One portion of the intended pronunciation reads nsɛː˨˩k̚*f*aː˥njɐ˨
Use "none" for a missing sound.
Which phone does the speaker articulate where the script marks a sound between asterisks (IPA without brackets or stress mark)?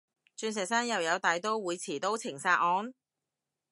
s